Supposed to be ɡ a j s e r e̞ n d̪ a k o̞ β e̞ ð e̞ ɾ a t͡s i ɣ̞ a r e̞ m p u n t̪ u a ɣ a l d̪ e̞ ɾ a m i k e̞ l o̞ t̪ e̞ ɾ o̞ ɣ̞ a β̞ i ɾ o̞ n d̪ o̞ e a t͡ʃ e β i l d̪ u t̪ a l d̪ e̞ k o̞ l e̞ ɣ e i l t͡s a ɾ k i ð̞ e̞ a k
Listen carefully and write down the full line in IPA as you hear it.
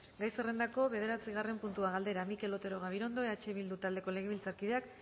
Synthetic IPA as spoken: ɡ a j s e r e̞ n d̪ a k o̞ β e̞ ð e̞ ɾ a t͡s i ɣ̞ a r e̞ m p u n t̪ u a ɣ a l d̪ e̞ ɾ a m i k e̞ l o̞ t̪ e̞ ɾ o̞ ɣ̞ a β̞ i ɾ o̞ n d̪ o̞ e a t͡ʃ e β i l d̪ u t̪ a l d̪ e̞ k o̞ l e̞ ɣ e i l t͡s a ɾ k i ð̞ e̞ a k